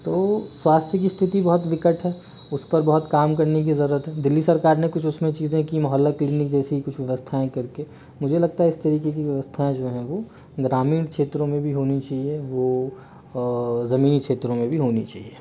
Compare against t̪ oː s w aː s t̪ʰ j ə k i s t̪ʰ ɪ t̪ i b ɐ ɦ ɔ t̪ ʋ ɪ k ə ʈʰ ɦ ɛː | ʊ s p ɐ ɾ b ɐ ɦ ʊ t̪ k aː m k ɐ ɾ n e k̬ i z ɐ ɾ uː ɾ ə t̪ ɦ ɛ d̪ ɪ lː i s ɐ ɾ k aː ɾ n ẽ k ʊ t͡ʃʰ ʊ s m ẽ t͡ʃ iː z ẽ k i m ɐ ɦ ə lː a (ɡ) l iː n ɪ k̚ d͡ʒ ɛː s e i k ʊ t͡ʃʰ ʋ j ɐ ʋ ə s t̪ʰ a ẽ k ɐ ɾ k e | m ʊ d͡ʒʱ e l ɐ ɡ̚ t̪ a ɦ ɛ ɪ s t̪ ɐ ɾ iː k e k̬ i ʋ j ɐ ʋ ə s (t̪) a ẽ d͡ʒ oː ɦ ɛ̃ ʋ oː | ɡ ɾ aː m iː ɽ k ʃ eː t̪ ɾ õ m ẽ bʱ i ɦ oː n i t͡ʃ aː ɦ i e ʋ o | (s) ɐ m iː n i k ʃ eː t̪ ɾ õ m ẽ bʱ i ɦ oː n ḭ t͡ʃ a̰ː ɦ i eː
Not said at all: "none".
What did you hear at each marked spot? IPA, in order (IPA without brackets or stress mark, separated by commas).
k, t̪ʰ, z